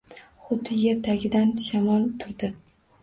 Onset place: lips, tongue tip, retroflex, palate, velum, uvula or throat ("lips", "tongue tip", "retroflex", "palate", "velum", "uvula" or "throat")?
uvula